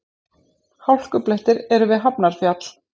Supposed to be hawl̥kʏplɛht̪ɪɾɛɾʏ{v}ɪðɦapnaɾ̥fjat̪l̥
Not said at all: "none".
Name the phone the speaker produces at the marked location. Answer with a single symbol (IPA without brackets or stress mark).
v